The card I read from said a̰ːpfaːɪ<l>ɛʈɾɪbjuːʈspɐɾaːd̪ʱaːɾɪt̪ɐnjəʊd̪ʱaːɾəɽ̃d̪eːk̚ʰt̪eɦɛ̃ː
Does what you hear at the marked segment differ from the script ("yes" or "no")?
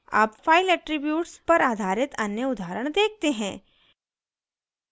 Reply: no